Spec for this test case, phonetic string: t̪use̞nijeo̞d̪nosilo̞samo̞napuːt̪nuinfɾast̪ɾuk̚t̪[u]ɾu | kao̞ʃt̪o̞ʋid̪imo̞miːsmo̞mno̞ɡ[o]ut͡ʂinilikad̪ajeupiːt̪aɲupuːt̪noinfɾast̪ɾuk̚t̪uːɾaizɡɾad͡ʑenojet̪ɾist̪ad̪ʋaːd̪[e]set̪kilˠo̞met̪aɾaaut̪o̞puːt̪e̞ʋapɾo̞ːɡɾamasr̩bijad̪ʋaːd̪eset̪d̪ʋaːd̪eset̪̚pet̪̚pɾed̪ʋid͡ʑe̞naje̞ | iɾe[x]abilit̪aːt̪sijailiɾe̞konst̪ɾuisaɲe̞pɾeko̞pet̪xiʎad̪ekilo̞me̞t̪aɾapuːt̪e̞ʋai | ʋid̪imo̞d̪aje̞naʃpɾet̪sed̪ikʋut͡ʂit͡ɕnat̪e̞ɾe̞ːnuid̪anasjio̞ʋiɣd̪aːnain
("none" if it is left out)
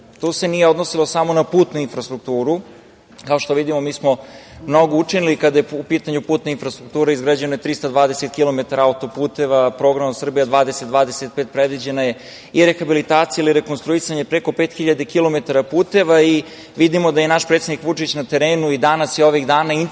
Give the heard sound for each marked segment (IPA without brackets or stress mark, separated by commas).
uː, o, e, x